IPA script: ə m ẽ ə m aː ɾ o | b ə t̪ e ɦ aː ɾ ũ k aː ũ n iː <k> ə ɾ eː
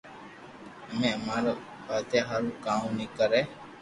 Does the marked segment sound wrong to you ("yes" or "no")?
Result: no